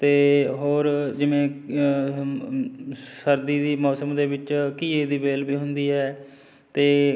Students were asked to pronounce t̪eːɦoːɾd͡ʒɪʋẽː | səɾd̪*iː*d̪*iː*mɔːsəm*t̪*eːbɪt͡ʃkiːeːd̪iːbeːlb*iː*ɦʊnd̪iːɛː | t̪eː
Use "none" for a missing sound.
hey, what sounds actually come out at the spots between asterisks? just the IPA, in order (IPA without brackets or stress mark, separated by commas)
iː, iː, d̪, iː